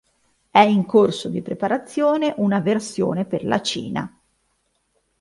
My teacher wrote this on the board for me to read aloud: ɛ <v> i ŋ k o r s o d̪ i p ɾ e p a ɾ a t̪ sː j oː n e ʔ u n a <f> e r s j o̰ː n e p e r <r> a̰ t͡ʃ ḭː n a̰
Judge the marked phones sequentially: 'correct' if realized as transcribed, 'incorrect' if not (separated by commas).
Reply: incorrect, incorrect, incorrect